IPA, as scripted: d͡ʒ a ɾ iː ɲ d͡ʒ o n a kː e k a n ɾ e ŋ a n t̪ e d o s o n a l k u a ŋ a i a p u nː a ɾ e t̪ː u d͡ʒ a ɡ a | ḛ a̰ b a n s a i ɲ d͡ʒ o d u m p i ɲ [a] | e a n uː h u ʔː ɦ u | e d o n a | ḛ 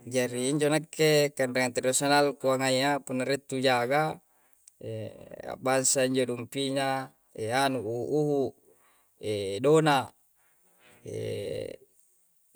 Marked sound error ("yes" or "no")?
no